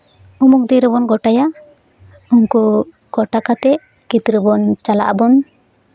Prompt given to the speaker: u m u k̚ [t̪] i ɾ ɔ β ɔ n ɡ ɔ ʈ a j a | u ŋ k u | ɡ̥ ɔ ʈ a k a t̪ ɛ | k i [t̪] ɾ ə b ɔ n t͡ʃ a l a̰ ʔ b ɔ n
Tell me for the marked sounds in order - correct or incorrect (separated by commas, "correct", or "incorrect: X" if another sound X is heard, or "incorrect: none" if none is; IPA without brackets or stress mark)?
incorrect: d̪, correct